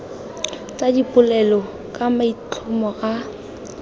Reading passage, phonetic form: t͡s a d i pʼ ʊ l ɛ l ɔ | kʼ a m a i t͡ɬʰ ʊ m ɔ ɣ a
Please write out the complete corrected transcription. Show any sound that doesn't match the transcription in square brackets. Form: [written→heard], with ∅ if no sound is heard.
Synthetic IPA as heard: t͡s a d i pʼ ʊ l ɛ l ɔ | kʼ a m a i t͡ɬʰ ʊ m ɔ ɣ a